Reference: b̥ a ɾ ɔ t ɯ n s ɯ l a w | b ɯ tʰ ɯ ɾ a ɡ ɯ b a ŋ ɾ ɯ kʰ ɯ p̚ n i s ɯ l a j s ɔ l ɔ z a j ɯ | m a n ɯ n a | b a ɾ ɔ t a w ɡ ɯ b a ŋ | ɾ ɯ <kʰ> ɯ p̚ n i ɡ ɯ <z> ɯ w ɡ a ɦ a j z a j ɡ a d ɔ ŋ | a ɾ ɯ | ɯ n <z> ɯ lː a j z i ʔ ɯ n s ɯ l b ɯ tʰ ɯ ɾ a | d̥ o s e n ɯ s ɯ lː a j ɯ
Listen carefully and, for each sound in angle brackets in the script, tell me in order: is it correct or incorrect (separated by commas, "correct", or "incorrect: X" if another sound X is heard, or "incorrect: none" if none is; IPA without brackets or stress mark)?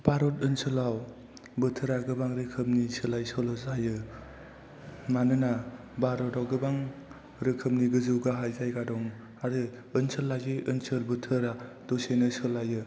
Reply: correct, correct, incorrect: s